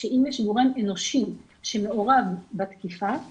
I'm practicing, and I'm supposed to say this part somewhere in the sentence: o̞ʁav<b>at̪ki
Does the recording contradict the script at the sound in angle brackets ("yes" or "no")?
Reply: no